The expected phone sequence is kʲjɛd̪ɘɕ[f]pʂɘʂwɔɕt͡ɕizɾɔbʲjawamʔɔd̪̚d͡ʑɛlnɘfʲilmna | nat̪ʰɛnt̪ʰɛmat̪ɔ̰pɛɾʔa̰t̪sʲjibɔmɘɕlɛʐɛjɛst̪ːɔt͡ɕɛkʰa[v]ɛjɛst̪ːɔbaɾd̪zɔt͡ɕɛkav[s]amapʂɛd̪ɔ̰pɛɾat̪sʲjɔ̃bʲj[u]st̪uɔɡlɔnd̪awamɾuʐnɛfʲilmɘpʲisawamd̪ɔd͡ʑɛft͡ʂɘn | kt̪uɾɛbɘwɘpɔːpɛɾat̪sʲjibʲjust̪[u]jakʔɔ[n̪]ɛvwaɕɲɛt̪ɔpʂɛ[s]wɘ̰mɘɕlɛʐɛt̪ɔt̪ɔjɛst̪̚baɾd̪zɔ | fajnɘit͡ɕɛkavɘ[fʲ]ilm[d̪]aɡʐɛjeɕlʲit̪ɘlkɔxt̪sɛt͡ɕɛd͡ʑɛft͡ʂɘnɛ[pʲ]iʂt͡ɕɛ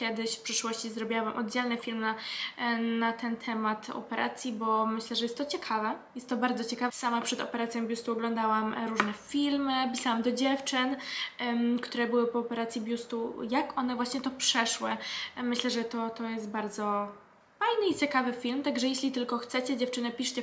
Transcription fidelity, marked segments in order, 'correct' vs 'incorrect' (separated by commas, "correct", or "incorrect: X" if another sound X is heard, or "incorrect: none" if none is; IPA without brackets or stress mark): correct, correct, correct, correct, correct, correct, incorrect: ʂ, correct, incorrect: t̪, correct